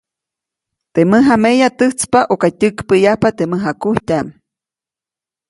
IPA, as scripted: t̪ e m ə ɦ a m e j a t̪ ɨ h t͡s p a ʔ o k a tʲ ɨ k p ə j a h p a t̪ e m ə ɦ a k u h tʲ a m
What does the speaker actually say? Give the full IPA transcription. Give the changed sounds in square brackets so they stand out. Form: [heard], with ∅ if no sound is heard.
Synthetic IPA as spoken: t̪ e m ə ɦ a m e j a t̪ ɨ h t͡s p a ʔ o k a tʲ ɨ k p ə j a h p a t̪ e m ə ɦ a k u h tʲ a m